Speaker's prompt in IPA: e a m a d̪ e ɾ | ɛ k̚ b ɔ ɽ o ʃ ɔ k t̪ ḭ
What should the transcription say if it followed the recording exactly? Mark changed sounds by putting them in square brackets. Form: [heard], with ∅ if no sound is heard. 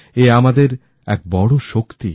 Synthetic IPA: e a m a d̪ e ɾ | ɛ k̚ b ɔ ɽ o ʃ [o] k t̪ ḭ